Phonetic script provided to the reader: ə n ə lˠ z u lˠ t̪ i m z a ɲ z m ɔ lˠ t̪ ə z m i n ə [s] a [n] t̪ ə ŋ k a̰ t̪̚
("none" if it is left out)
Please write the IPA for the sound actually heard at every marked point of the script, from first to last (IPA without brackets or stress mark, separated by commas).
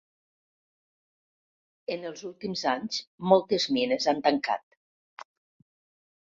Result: z, n